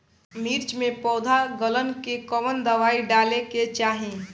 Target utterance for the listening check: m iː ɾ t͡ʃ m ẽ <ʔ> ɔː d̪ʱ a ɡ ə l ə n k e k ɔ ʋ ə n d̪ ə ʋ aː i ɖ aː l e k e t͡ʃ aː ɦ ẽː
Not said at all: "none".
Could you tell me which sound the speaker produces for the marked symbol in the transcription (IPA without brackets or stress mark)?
p